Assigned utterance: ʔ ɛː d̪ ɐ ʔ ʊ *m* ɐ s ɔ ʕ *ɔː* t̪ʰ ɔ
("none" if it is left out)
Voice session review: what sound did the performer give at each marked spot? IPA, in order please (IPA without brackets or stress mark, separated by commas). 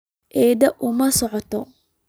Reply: m, ɔ